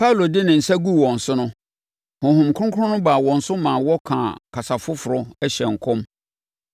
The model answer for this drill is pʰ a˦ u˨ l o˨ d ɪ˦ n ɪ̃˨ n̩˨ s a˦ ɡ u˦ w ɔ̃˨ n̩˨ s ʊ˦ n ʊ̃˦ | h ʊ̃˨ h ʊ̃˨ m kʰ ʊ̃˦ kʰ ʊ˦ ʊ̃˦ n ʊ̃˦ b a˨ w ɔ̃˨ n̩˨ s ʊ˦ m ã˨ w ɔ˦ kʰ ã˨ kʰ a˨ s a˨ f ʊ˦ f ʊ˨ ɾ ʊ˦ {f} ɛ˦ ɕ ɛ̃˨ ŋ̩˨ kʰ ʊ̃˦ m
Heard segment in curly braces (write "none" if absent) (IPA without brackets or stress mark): none